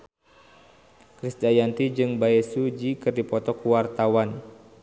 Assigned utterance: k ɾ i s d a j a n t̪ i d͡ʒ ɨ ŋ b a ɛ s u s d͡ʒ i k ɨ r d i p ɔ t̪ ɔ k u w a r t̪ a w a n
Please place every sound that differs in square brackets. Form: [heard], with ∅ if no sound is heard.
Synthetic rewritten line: k ɾ i s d a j a n t̪ i d͡ʒ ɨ ŋ b a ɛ s u [∅] d͡ʒ i k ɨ r d i p ɔ t̪ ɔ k u w a r t̪ a w a n